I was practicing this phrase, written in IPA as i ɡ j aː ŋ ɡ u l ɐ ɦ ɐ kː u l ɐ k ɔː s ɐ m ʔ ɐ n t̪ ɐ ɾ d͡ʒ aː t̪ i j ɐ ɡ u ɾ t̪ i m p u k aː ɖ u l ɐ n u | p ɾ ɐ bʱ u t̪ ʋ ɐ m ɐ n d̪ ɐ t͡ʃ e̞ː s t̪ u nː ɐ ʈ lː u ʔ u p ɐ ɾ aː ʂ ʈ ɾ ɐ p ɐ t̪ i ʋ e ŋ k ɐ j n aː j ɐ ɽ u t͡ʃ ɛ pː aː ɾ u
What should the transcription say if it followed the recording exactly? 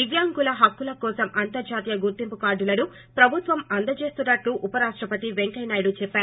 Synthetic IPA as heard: i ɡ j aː ŋ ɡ u l ɐ ɦ ɐ kː u l ɐ k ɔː s ɐ m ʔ ɐ n t̪ ɐ ɾ d͡ʒ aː t̪ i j ɐ ɡ u ɾ t̪ i m p u k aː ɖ u l ɐ n u | p ɾ ɐ bʱ u t̪ ʋ ɐ m ɐ n d̪ ɐ t͡ʃ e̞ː s t̪ u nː ɐ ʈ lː u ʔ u p ɐ ɾ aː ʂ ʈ ɾ ɐ p ɐ t̪ i ʋ e ŋ k ɐ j n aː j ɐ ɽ u t͡ʃ ɛ pː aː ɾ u

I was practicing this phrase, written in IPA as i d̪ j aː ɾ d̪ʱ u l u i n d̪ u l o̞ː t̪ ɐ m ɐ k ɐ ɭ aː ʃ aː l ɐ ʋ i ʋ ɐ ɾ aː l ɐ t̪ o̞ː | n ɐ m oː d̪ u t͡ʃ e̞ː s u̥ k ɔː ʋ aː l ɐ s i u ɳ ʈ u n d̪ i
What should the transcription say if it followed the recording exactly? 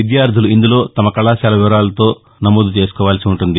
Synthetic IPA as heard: i d̪ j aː ɾ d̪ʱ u l u i n d̪ u l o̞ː t̪ ɐ m ɐ k ɐ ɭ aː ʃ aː l ɐ ʋ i ʋ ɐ ɾ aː l ɐ t̪ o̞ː | n ɐ m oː d̪ u t͡ʃ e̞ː s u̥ k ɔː ʋ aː l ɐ s i u ɳ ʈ u n d̪ i

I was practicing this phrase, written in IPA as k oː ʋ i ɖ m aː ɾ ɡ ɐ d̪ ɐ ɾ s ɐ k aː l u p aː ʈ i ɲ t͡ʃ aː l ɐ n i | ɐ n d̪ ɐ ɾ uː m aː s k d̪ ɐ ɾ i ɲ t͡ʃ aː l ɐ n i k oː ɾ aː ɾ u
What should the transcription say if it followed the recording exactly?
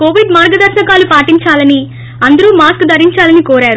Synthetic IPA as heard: k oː ʋ i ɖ m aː ɾ ɡ ɐ d̪ ɐ ɾ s ɐ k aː l u p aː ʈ i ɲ t͡ʃ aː l ɐ n i | ɐ n d̪ ɐ ɾ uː m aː s k d̪ ɐ ɾ i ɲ t͡ʃ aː l ɐ n i k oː ɾ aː ɾ u

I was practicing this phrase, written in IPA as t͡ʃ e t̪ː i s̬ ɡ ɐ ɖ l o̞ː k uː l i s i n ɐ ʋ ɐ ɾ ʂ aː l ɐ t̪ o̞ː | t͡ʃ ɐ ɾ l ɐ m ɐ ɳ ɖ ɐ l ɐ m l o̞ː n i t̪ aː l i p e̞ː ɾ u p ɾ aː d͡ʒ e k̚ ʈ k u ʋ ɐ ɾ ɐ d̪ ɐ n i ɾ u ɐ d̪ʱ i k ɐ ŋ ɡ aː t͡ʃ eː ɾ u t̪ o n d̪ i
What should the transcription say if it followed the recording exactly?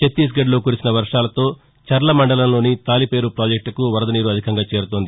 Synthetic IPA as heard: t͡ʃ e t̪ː i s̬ ɡ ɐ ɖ l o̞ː k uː ɾ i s i n ɐ ʋ ɐ ɾ ʂ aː l ɐ t̪ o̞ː | t͡ʃ ɐ ɾ l ɐ m ɐ ɳ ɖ ɐ l ɐ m l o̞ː n i t̪ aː l i p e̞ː ɾ u p ɾ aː d͡ʒ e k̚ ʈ k u ʋ ɐ ɾ ɐ d̪ ɐ n iː ɾ u ɐ d̪ʱ i k ɐ ŋ ɡ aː t͡ʃ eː ɾ u t̪ o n d̪ i

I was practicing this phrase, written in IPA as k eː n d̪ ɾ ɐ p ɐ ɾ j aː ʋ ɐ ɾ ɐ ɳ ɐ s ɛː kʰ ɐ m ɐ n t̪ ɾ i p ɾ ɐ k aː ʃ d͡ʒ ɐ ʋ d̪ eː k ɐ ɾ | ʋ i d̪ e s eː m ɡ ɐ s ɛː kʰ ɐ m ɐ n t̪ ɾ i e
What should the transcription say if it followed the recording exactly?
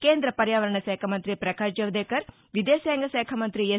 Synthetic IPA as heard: k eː n d̪ ɾ ɐ p ɐ ɾ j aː ʋ ɐ ɾ ɐ ɳ ɐ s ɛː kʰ ɐ m ɐ n t̪ ɾ i p ɾ ɐ k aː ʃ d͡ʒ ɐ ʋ d̪ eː k ɐ ɾ | ʋ i d̪ e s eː ŋ ɡ ɐ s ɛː kʰ ɐ m ɐ n t̪ ɾ i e

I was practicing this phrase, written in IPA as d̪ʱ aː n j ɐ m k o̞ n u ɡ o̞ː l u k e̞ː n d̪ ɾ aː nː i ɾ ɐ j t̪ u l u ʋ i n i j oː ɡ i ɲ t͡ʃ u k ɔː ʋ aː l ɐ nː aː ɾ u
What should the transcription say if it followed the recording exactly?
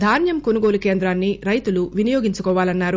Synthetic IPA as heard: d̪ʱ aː n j ɐ m k o̞ n u ɡ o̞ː l u k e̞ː n d̪ ɾ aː nː i ɾ ɐ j t̪ u l u ʋ i n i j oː ɡ i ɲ t͡ʃ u k ɔː ʋ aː l ɐ nː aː ɾ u

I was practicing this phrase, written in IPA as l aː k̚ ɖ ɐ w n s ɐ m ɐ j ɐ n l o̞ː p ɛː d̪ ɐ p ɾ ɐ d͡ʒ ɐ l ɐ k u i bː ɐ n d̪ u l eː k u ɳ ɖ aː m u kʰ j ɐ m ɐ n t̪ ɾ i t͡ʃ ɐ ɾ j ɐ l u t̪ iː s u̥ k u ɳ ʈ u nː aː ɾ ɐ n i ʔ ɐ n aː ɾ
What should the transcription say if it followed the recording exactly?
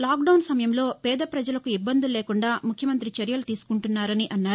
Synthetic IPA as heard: l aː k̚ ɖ ɐ w n s ɐ m ɐ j ɐ m l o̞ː p ɛː d̪ ɐ p ɾ ɐ d͡ʒ ɐ l ɐ k u i bː ɐ n d̪ u l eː k u ɳ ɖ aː m u kʰ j ɐ m ɐ n t̪ ɾ i t͡ʃ ɐ ɾ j ɐ l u t̪ iː s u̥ k u ɳ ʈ u nː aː ɾ ɐ n i ʔ ɐ nː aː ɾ

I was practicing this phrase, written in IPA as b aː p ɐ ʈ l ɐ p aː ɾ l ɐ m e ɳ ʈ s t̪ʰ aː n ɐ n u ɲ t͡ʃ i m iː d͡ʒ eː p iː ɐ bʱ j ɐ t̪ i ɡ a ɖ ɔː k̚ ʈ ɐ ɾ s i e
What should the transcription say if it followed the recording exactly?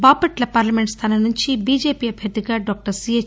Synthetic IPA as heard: b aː p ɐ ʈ l ɐ p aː ɾ l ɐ m e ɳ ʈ s t̪ʰ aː n ɐ n u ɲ t͡ʃ i b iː d͡ʒ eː p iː ɐ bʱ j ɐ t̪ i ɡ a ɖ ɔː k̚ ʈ ɐ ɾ s i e

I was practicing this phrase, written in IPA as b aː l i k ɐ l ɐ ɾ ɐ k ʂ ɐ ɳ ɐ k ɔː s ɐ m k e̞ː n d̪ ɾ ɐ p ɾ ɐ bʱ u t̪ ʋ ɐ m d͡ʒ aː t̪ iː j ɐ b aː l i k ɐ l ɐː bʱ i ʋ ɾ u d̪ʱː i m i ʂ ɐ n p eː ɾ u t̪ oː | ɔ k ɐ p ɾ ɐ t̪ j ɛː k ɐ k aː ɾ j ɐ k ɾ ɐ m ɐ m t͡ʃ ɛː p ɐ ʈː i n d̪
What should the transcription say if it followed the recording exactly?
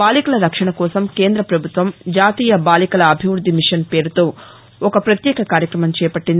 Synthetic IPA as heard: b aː l i k ɐ l ɐ ɾ ɐ k ʂ ɐ ɳ ɐ k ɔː s ɐ m k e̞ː n d̪ ɾ ɐ p ɾ ɐ bʱ u t̪ ʋ ɐ m d͡ʒ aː t̪ iː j ɐ b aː l i k ɐ l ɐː bʱ i ʋ ɾ u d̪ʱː i m i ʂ ɐ n p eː ɾ u t̪ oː | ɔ k ɐ p ɾ ɐ t̪ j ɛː k ɐ k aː ɾ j ɐ k ɾ ɐ m ɐ m t͡ʃ ɛː p ɐ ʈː i n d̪

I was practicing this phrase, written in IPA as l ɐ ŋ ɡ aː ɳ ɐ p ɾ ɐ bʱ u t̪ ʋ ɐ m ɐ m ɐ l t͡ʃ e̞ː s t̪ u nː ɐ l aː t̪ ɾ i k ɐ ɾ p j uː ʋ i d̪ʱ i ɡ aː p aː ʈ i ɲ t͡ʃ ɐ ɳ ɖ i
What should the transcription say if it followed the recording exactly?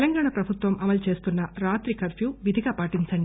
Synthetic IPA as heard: l ɐ ŋ ɡ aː ɳ ɐ p ɾ ɐ bʱ u t̪ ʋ ɐ m ɐ m ɐ l t͡ʃ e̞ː s t̪ u nː ɐ ɾ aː t̪ ɾ i k ɐ ɾ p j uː ʋ i d̪ʱ i ɡ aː p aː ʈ i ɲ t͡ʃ ɐ ɳ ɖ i

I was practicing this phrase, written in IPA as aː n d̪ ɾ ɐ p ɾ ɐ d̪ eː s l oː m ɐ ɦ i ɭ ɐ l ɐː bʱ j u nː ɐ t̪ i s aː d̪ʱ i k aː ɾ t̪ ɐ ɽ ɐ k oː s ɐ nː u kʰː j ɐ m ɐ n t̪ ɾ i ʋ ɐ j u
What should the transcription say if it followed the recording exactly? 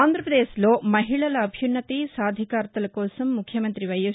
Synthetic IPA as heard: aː n d̪ ɾ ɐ p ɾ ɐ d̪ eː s l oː m ɐ ɦ i ɭ ɐ l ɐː bʱ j u nː ɐ t̪ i s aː d̪ʱ i k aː ɾ t̪ ɐ l ɐ k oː s ɐ mː u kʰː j ɐ m ɐ n t̪ ɾ i ʋ ɐ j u

